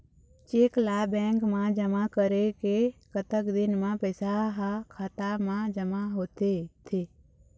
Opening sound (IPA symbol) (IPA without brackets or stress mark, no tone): t͡ʃ